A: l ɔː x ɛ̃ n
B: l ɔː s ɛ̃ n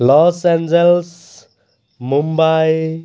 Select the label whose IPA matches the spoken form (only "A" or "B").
B